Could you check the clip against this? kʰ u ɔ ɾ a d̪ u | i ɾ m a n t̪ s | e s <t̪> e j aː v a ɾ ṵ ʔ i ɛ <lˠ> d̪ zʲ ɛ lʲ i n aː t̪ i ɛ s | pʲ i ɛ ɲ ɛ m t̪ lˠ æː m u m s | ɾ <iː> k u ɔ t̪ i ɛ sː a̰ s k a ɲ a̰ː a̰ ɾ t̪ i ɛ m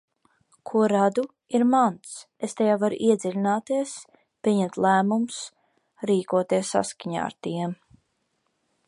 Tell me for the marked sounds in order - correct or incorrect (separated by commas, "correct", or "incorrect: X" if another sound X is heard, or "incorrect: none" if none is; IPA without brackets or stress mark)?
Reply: correct, incorrect: none, correct